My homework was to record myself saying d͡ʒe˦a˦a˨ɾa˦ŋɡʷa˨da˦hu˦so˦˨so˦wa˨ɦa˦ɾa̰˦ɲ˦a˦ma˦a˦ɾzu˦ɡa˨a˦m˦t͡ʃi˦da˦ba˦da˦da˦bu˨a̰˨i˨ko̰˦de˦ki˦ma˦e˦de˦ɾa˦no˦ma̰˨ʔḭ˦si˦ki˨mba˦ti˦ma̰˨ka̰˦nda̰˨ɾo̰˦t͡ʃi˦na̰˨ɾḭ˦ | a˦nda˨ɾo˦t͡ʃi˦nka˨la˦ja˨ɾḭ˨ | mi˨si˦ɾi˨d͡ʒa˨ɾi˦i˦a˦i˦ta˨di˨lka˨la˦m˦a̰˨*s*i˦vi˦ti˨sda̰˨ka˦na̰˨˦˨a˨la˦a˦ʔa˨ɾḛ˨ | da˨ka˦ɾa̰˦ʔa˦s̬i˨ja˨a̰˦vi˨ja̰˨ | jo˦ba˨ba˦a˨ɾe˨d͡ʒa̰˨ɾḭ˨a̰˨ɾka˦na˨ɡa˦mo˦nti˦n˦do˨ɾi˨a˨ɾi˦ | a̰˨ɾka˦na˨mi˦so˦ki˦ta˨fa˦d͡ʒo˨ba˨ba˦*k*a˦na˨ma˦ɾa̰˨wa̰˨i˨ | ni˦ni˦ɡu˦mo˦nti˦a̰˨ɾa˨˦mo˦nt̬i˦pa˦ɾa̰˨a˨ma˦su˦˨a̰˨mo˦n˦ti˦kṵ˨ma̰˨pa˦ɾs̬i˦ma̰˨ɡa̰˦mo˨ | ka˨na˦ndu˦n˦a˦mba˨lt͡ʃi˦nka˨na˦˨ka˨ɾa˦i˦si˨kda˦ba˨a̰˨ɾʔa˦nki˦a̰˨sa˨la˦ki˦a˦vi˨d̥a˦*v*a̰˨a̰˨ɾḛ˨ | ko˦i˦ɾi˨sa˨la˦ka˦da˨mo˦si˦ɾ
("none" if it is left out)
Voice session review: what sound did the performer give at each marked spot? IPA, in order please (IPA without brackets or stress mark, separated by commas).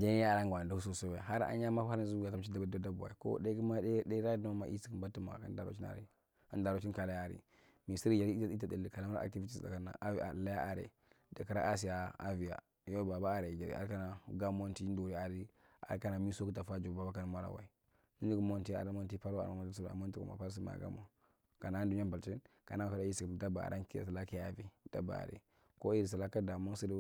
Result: t, k, b